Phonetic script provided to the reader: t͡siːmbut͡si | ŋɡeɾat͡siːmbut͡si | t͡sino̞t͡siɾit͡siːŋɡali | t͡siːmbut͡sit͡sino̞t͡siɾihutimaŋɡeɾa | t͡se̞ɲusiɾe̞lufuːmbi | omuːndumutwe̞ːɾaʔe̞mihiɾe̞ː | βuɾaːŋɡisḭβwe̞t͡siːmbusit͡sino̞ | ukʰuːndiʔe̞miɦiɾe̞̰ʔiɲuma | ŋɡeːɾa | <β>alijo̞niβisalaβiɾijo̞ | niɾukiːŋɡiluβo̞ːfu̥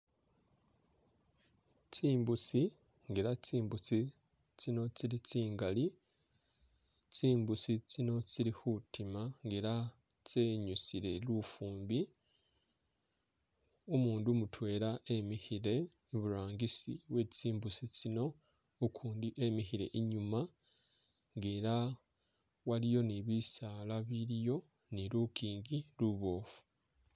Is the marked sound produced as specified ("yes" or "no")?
no